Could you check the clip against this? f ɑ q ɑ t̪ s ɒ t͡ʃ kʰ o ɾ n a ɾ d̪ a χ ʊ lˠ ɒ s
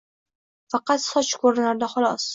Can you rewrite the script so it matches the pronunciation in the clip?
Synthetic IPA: f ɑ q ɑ t̪ s ɒ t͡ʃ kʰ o ɾ n a ɾ d̪ a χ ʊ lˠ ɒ s

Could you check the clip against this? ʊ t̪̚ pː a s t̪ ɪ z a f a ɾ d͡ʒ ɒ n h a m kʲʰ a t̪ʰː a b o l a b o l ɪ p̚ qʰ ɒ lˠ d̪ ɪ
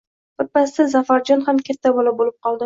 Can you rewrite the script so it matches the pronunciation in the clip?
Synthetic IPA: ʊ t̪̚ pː a s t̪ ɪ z a f a ɾ d͡ʒ ɒ n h a m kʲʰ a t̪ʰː a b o l a b o l ɪ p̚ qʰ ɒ lˠ d̪ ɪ

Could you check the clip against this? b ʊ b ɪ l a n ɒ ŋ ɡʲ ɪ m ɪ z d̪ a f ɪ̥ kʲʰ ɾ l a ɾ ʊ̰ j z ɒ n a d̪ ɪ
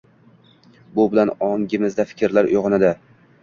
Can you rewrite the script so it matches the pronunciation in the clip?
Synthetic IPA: b ʊ b ɪ l a n ɒ ŋ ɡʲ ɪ m ɪ z d̪ a f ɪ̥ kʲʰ ɾ l a ɾ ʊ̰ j ʁ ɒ n a d̪ ɪ

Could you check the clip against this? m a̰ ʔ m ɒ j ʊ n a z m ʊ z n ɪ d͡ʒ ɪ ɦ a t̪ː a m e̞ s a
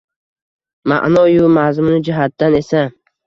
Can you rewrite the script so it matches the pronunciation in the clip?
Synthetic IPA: m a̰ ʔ n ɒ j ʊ m a z m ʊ n ɪ d͡ʒ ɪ ɦ a t̪ː a n e̞ s a

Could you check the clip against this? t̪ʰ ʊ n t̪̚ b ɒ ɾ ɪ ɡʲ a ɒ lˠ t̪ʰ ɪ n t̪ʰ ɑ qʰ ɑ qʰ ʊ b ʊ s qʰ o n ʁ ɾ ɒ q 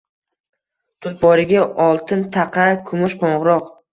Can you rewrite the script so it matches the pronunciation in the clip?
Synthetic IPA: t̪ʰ ʊ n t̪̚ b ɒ ɾ ɪ ɡʲ a ɒ lˠ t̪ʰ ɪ n t̪ʰ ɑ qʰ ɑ kʰ ʊ m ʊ ʃ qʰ o ɴ ʁ ɾ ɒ q

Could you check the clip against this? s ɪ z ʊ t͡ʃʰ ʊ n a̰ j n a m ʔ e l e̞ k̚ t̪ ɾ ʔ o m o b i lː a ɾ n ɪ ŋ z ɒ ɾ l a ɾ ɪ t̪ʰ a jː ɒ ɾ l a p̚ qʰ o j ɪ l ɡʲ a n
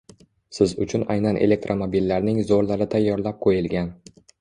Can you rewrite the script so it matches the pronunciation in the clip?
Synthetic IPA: s ɪ z ʊ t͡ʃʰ ʊ n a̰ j n a n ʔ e l e̞ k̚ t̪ ɾ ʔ o m o b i lː a ɾ n ɪ ŋ z o ɾ l a ɾ ɪ t̪ʰ a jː ɒ ɾ l a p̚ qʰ o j ɪ l ɡʲ a n

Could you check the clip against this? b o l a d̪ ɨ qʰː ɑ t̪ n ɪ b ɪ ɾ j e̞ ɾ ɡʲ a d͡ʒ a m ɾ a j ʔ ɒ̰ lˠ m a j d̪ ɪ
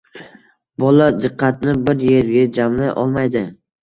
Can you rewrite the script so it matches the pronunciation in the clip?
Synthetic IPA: b ɒ l a d̪ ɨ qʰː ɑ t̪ n ɪ b ɪ ɾ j e̞ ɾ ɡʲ a d͡ʒ a m l a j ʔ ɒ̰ lˠ m a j d̪ ɪ

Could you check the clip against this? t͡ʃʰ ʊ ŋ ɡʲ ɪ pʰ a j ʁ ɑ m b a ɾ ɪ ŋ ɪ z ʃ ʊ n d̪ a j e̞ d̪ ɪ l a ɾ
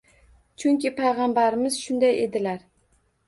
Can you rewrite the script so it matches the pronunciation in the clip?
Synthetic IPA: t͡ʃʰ ʊ ŋ kʲ ɪ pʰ a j ʁ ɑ m b a ɾ ɪ m ɪ z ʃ ʊ n d̪ a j e̞ d̪ ɪ l a ɾ

